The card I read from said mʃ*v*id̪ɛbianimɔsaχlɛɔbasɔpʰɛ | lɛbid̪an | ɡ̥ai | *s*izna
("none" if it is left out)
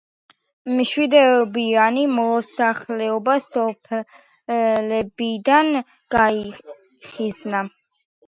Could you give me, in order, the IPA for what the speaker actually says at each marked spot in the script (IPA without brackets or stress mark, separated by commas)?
w, χ